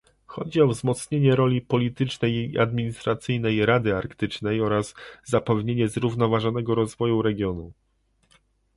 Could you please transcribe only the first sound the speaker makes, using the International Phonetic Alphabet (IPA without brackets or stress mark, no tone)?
x